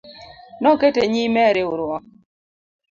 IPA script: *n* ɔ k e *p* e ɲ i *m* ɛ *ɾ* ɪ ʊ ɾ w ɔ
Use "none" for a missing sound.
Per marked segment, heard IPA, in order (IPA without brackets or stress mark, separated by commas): n, t, m, ɾ